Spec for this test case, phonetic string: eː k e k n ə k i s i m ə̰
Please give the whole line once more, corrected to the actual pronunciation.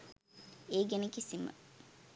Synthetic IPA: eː ɡ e n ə k i s i m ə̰